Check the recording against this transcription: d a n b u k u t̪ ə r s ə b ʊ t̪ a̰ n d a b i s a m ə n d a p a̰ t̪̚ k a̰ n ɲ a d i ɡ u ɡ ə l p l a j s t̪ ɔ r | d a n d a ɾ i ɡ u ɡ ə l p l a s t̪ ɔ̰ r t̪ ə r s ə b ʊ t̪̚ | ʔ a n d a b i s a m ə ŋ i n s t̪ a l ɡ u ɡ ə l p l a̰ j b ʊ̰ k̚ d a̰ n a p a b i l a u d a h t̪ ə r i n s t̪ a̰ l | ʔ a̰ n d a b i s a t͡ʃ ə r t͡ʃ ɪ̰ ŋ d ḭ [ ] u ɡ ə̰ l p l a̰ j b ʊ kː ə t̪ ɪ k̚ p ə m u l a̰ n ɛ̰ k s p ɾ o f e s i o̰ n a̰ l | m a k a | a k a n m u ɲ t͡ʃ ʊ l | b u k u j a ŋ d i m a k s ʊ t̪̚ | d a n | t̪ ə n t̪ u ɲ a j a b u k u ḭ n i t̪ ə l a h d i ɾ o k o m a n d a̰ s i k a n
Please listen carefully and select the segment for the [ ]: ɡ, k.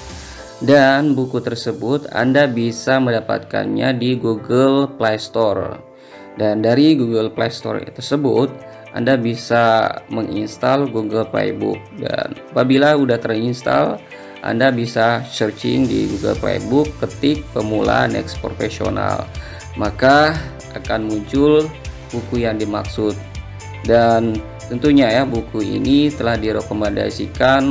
ɡ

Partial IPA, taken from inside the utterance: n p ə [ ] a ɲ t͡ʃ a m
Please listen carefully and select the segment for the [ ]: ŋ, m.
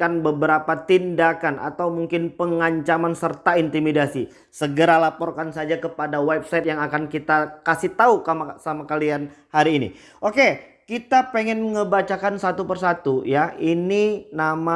ŋ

